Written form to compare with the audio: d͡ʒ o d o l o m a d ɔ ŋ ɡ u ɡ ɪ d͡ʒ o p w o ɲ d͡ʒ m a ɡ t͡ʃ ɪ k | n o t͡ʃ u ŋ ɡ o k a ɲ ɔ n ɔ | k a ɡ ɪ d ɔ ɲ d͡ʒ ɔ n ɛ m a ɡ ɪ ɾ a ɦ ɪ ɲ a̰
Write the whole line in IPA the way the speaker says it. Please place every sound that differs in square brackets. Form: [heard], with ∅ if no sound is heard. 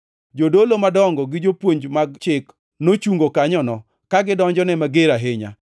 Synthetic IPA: d͡ʒ o d o l o m a d ɔ ŋ ɡ [ɔ] ɡ ɪ d͡ʒ o p w o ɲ d͡ʒ m a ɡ t͡ʃ ɪ k | n o t͡ʃ u ŋ ɡ o k a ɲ ɔ n ɔ | k a ɡ ɪ d ɔ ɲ d͡ʒ ɔ n ɛ m a ɡ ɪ ɾ a ɦ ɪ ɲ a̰

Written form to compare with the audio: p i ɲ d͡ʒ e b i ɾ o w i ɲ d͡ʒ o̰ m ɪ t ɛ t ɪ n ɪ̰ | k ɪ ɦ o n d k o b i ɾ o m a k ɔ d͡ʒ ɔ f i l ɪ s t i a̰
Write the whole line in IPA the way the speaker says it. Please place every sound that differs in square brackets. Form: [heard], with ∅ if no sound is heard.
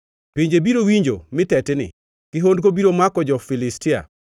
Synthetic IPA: p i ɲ d͡ʒ e b i ɾ o w i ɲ d͡ʒ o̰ m ɪ t ɛ t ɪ n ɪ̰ | k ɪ ɦ o n d k o b i ɾ o m a k ɔ d͡ʒ ɔ f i l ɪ s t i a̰

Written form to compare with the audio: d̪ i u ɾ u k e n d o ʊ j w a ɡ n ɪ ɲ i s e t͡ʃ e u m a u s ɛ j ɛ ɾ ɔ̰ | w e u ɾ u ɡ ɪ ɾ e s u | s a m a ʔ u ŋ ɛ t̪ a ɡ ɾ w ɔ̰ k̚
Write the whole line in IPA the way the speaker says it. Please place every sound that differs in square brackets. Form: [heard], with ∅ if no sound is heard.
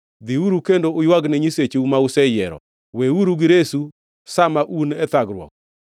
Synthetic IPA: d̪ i u ɾ u k e n d o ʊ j w a ɡ n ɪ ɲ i s e t͡ʃ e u m a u s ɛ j ɛ ɾ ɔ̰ | w e u ɾ u ɡ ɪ ɾ e s u | s a m a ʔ u [n] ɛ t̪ a ɡ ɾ w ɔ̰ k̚

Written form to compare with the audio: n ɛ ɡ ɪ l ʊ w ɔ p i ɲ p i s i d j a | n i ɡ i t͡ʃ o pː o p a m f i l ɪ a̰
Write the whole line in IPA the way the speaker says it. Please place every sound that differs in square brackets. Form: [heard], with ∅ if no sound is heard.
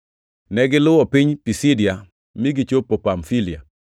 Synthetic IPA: n ɛ ɡ ɪ l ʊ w ɔ p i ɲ p i s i d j a | [m] i ɡ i t͡ʃ o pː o p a m f i l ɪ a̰

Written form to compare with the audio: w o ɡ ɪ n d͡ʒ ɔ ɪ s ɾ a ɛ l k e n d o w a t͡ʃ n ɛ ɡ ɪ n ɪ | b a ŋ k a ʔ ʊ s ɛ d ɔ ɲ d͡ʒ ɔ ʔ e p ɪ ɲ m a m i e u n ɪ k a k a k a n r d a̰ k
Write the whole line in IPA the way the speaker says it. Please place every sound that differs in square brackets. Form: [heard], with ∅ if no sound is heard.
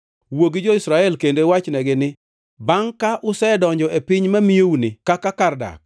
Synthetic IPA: w o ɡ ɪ [∅] d͡ʒ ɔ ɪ s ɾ a ɛ l k e n d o w a t͡ʃ n ɛ ɡ ɪ n ɪ | b a ŋ k a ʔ ʊ s ɛ d ɔ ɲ d͡ʒ ɔ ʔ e p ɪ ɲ m a m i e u n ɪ k a k a k a [∅] r d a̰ k

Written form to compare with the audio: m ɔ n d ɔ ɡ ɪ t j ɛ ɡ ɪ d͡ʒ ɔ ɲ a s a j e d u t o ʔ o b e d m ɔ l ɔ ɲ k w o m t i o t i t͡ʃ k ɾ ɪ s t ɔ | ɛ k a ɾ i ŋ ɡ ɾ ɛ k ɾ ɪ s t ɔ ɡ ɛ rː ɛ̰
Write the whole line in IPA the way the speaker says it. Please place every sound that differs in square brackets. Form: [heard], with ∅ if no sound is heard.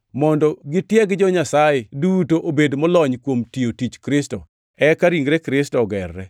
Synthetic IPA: m ɔ n d ɔ ɡ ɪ t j ɛ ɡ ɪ d͡ʒ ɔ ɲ a s a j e d u t o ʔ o b e d m ɔ l ɔ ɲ k w o m t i o t i t͡ʃ k ɾ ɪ s t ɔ | ɛ k a ɾ i ŋ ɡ ɾ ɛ k ɾ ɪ s t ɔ ɡ ɛ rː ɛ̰

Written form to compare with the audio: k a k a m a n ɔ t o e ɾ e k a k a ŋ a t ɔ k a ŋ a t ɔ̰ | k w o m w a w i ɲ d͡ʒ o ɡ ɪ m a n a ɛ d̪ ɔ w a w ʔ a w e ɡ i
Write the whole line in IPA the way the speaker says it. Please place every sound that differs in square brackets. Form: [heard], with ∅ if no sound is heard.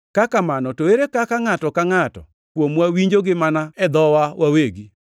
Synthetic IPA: k a k a m a n ɔ t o e ɾ e k a k a ŋ a t ɔ k a ŋ a t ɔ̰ | k w o m w a w i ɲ d͡ʒ o ɡ ɪ m a n a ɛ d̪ ɔ w a w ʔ a w e ɡ i

